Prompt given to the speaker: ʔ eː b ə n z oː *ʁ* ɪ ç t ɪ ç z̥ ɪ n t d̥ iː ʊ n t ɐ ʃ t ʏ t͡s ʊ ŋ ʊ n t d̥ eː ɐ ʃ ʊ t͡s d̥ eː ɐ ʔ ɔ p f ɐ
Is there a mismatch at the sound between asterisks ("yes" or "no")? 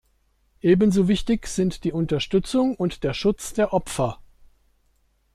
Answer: yes